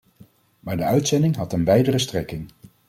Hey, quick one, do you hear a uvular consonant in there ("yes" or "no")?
no